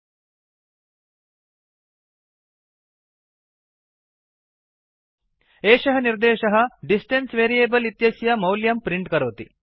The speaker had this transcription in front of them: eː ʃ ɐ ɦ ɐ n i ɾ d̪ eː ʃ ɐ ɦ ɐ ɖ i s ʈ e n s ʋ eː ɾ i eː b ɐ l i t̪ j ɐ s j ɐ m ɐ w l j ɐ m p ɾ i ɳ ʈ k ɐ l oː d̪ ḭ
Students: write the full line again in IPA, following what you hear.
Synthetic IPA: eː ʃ ɐ ɦ ɐ n i ɾ d̪ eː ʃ ɐ ɦ ɐ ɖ i s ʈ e n s ʋ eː ɾ i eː b ɐ l i t̪ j ɐ s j ɐ m ɐ w l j ɐ m p ɾ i ɳ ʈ k ɐ ɾ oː t̪ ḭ

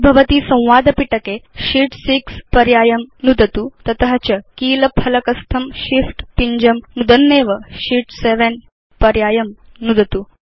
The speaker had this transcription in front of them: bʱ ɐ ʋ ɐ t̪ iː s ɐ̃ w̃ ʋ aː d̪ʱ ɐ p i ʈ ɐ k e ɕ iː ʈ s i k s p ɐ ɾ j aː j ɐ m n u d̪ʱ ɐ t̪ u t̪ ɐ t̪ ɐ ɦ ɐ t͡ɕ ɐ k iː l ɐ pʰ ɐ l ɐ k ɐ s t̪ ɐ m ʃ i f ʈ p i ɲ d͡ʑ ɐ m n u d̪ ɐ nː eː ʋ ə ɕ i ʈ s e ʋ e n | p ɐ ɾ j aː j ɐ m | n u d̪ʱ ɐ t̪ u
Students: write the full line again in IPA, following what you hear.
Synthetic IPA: bʱ ɐ ʋ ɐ t̪ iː s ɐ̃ w̃ ʋ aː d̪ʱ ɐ p i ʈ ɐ k e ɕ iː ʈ s i k s p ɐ ɾ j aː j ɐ m n u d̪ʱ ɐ t̪ u t̪ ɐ t̪ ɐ ɦ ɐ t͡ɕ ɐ k iː l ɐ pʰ ɐ l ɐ k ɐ s t̪ʰ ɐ m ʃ i f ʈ p i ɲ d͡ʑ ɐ m n u d̪ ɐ nː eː ʋ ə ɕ i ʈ s e ʋ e n | p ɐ ɾ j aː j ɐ m | n u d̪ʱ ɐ t̪ u

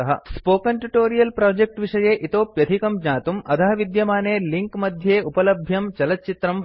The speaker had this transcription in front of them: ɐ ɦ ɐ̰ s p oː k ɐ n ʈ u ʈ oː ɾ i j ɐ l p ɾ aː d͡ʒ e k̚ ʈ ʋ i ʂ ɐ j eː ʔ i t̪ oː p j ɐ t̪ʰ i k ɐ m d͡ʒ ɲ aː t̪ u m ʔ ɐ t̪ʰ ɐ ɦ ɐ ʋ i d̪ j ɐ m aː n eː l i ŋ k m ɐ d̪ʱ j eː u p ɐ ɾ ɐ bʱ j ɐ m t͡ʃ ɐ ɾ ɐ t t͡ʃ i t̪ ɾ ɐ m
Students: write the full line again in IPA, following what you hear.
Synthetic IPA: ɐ ɦ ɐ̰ s p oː k ɐ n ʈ u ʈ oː ɾ i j ɐ l p ɾ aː d͡ʒ e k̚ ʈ ʋ i ʂ ɐ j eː ʔ i t̪ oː p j ɐ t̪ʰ i k ɐ m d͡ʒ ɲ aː t̪ u m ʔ ɐ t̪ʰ ɐ ɦ ɐ ʋ i d̪ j ɐ m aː n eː l i ŋ k m ɐ d̪ʱ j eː u p ɐ l ɐ bʱ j ɐ m t͡ʃ ɐ l ɐ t t͡ʃ i t̪ ɾ ɐ m

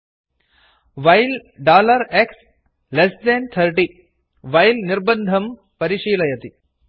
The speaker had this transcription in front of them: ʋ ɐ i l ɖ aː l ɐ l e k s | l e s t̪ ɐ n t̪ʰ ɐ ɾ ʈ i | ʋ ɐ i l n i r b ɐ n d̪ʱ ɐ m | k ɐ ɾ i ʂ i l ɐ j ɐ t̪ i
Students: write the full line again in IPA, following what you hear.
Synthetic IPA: ʋ ɐ j l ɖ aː l ɐ ɾ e k s | l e s d̪ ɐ n t̪ʰ ɐ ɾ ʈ i | ʋ ɐ j l n i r b ɐ n d̪ʱ ɐ m | p ɐ ɾ i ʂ iː l ɐ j ɐ t̪ i

